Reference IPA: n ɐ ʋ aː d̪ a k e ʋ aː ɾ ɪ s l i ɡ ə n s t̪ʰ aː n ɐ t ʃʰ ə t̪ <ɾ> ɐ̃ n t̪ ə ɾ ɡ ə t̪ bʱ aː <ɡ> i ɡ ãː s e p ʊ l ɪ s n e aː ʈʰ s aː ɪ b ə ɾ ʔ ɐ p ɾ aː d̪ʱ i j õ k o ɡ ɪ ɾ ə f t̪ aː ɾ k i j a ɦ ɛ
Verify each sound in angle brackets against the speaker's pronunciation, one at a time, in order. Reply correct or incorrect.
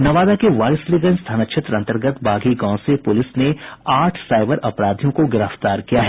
correct, correct

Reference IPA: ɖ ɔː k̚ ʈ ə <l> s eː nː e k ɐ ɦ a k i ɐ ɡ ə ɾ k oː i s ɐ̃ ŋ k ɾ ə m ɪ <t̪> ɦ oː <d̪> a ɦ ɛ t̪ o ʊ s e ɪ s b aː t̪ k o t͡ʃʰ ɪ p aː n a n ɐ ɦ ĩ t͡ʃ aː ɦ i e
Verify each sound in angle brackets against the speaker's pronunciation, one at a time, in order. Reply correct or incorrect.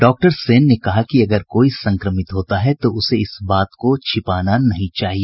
incorrect: ɾ, correct, incorrect: t̪

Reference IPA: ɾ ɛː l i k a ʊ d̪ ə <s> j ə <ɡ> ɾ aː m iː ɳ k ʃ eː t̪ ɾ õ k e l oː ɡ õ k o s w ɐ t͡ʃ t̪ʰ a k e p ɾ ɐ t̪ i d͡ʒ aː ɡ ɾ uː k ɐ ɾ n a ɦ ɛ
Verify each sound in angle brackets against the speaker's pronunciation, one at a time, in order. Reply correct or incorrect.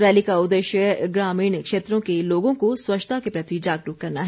incorrect: ʃ, correct

